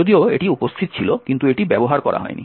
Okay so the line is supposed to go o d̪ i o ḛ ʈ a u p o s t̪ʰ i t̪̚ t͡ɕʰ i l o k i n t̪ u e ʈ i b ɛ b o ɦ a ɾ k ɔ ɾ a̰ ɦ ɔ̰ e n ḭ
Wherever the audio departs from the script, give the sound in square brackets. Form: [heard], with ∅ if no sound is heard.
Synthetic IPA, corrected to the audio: o d̪ i o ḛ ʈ [i] u p o s t̪ʰ i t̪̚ t͡ɕʰ i l o k i n t̪ u e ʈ i b ɛ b o ɦ a ɾ k ɔ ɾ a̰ ɦ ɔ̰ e n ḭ